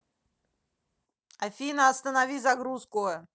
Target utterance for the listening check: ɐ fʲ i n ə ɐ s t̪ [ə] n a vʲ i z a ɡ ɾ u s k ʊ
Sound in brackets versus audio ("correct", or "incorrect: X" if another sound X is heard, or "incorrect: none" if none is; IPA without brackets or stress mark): correct